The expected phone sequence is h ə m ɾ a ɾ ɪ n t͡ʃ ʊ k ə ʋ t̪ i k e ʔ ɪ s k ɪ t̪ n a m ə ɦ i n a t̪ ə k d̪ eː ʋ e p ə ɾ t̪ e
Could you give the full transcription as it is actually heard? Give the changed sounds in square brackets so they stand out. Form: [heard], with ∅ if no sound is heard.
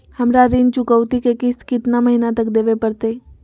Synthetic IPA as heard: h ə m ɾ a ɾ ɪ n t͡ʃ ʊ k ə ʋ t̪ i k e [k] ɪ s k ɪ t̪ n a m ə ɦ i n a t̪ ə k d̪ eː ʋ e p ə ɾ t̪ e